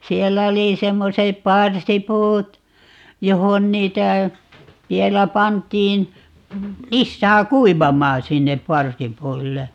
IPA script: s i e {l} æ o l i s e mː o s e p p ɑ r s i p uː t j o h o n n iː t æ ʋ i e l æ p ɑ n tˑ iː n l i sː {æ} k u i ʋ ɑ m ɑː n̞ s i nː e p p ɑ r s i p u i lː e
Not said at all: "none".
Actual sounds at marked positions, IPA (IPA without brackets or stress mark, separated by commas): lː, æː